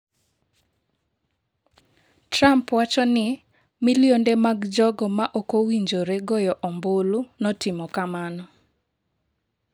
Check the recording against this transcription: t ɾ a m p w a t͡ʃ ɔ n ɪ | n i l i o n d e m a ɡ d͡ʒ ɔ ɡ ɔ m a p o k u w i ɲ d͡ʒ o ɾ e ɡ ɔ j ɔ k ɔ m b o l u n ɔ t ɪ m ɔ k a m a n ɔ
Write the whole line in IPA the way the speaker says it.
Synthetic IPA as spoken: t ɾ a m p w a t͡ʃ ɔ n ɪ | m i l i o n d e m a ɡ d͡ʒ ɔ ɡ ɔ m a ʔ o k o w i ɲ d͡ʒ o ɾ e ɡ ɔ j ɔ ʔ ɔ m b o l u n ɔ t ɪ m ɔ k a m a n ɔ